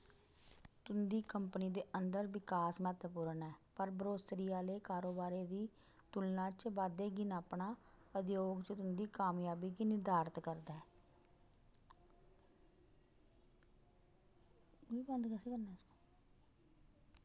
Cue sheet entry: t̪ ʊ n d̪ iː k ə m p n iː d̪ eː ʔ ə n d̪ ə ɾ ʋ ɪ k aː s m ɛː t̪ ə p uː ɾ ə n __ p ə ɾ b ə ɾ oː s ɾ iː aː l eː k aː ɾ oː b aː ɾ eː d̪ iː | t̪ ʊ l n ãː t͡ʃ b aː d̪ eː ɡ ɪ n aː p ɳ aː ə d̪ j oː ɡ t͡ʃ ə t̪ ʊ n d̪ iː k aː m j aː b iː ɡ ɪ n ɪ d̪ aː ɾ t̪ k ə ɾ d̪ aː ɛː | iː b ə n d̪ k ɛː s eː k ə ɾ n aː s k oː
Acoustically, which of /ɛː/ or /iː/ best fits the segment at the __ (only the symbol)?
ɛː